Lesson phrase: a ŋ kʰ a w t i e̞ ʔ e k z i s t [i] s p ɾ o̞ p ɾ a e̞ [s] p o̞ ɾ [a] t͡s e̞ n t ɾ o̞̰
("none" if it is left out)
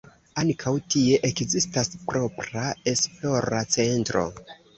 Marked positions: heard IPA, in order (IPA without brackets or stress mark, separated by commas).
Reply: a, s, a